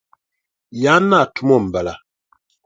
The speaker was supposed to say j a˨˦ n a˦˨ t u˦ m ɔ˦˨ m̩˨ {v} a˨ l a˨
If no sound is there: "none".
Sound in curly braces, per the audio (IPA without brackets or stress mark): b